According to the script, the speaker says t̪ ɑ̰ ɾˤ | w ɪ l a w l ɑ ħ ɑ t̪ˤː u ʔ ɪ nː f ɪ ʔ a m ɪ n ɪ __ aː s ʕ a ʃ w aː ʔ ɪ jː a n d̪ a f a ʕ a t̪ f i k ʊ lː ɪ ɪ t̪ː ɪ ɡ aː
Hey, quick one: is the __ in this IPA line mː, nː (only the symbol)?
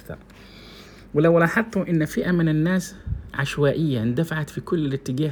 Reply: nː